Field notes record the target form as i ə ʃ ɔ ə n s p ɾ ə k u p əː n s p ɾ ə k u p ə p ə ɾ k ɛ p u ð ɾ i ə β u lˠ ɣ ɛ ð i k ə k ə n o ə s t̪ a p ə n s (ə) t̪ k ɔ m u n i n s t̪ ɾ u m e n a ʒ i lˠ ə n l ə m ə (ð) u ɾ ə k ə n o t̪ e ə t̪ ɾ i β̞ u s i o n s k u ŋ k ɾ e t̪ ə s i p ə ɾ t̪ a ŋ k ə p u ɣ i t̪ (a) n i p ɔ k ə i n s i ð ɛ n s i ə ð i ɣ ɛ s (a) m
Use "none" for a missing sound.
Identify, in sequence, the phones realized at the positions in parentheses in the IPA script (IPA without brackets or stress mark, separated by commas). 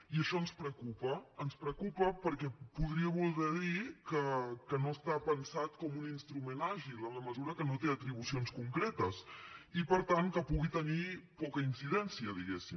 a, z, ə, i